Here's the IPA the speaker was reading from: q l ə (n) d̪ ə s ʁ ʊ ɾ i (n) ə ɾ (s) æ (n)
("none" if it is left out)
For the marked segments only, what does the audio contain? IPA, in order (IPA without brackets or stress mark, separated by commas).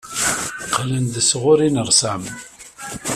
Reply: n, n, s, m